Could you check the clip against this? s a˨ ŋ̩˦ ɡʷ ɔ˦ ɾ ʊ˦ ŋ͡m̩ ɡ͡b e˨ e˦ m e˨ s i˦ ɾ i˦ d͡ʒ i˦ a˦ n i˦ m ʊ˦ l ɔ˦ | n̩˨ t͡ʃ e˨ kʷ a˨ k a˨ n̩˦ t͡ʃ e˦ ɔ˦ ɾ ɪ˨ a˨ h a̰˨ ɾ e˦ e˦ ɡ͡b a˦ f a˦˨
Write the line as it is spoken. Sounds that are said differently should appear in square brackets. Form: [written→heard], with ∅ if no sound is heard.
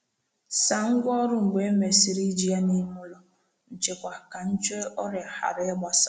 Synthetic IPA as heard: s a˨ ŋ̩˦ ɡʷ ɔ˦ ɾ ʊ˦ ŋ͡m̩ ɡ͡b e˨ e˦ m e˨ s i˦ ɾ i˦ d͡ʒ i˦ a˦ n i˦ m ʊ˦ l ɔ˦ | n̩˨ t͡ʃ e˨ kʷ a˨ k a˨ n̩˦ t͡ʃ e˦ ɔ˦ ɾ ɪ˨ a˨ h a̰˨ ɾ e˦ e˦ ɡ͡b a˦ [f→s] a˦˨